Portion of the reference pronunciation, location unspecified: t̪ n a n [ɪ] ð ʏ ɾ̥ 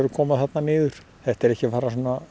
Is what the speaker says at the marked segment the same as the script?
no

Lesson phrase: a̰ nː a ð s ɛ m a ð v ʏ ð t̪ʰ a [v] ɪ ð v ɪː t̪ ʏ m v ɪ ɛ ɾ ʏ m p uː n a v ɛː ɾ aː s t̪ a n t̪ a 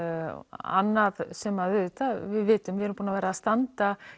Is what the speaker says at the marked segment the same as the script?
yes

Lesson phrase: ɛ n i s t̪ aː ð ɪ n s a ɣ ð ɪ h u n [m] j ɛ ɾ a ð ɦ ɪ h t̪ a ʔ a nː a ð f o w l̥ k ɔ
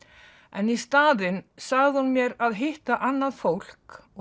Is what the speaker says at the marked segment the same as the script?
yes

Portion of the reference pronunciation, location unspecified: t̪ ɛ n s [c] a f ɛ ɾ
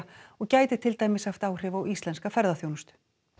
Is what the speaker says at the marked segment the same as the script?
no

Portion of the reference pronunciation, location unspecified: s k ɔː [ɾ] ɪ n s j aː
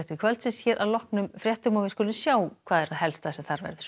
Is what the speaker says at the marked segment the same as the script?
no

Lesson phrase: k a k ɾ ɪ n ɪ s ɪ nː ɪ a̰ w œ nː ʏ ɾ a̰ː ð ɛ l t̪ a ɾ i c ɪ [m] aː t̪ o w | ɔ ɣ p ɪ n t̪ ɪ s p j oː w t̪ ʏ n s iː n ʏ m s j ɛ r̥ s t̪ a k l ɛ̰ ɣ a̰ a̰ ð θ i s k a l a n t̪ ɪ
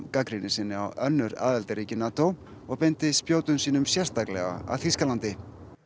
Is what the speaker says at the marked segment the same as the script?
no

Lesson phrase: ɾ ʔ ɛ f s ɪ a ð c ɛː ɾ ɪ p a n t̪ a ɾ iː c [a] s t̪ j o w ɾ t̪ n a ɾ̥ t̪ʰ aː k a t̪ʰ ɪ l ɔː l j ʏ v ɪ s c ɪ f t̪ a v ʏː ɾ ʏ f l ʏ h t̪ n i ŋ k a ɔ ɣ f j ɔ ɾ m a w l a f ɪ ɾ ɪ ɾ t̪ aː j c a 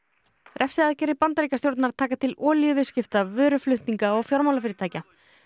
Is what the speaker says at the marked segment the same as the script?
yes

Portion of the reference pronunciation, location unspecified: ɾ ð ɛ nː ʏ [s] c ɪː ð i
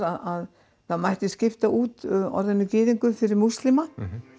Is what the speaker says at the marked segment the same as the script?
no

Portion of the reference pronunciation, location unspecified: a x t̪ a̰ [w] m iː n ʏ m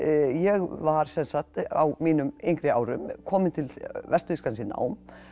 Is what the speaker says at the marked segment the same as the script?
yes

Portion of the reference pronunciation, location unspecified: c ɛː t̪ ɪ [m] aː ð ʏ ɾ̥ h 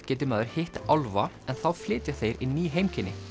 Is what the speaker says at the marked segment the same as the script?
yes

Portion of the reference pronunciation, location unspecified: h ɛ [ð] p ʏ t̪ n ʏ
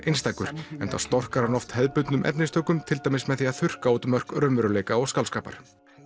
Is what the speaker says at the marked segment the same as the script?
yes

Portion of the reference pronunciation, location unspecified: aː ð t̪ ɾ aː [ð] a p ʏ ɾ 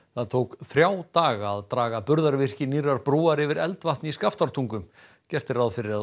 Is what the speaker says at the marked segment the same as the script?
no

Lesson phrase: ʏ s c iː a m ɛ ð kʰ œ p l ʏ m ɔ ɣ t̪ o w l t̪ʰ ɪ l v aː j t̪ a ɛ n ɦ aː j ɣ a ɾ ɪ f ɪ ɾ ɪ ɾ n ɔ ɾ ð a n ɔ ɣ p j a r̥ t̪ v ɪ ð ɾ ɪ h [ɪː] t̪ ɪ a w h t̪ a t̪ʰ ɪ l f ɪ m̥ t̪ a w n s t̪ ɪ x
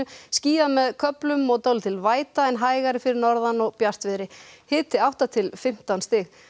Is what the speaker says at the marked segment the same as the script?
yes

